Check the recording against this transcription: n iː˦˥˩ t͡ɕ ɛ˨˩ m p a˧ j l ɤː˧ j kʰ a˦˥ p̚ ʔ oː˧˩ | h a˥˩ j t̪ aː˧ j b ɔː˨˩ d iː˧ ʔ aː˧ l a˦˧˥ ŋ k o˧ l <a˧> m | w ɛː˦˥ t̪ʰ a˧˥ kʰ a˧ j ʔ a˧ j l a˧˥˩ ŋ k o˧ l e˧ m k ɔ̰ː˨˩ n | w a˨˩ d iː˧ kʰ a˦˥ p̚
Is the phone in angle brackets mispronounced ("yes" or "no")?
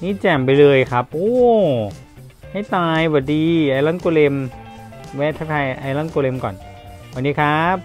yes